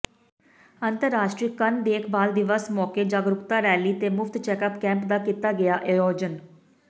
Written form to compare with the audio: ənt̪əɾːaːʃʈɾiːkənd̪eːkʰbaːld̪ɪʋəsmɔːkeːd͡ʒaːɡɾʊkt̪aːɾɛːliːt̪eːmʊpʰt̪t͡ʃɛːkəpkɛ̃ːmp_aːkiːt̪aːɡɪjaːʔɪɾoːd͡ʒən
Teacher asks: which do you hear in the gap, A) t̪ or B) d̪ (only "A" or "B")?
B